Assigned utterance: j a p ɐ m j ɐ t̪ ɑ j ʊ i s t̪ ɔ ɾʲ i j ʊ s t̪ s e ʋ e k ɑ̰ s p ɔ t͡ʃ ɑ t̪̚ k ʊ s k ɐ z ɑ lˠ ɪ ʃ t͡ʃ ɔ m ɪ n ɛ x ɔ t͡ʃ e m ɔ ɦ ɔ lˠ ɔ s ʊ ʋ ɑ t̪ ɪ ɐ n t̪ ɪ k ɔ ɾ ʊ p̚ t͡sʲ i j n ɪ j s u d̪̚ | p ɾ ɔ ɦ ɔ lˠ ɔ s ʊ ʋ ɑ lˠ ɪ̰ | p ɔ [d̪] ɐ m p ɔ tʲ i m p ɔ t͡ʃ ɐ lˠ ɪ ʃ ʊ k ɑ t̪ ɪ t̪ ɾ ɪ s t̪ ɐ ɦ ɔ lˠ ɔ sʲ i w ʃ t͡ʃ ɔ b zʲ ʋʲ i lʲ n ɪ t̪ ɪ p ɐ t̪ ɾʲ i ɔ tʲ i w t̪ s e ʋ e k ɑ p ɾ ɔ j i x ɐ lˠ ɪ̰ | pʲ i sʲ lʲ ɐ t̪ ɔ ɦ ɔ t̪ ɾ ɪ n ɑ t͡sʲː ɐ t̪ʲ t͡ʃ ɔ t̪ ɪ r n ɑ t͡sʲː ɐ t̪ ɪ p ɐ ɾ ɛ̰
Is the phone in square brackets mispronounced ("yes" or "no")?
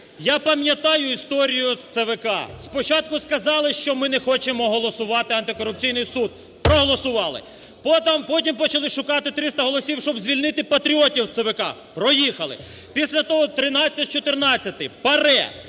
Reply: yes